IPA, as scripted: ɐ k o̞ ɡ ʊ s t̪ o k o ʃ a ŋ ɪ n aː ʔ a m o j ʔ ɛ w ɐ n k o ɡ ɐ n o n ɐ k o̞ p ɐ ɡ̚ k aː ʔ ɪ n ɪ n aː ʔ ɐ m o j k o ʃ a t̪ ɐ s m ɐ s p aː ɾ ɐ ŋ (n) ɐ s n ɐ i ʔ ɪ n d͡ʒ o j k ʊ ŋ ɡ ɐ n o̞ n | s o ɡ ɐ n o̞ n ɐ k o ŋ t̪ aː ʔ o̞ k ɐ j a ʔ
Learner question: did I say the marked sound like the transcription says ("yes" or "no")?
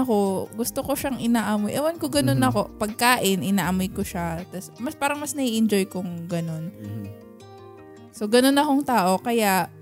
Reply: no